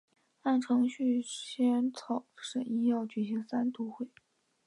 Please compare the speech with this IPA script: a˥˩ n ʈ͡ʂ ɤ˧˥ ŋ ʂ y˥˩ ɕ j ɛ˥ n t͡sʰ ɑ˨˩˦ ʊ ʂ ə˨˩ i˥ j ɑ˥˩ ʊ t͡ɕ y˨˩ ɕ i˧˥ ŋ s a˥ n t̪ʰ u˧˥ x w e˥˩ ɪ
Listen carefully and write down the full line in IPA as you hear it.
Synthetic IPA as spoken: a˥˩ n ʈ͡ʂʰ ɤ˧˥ ŋ ɕ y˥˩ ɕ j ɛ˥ n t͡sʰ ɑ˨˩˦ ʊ ʂ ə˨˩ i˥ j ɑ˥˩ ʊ t͡ɕ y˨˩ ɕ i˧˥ ŋ s a˥ n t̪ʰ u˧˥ x w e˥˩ ɪ